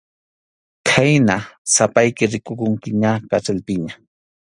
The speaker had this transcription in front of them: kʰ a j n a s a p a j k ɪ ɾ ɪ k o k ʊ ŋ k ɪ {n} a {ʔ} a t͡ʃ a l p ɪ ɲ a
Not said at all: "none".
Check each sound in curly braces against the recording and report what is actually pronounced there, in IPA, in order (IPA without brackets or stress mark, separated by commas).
ɲ, k